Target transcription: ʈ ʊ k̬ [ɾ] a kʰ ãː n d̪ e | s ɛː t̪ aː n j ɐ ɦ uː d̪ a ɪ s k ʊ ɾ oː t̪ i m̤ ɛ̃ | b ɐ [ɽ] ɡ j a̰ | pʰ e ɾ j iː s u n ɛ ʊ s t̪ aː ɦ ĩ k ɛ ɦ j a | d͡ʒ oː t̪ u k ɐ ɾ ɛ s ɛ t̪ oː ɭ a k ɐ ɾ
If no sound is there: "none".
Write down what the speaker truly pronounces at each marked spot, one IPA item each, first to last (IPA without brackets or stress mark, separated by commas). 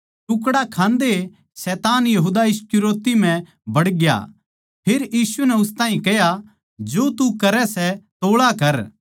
ɽ, ɽ